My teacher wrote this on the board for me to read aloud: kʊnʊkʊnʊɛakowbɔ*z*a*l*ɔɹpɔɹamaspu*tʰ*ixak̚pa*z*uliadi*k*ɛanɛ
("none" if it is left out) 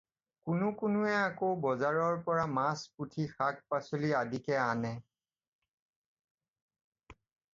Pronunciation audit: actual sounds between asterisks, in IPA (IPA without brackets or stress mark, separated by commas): z, ɹ, tʰ, s, k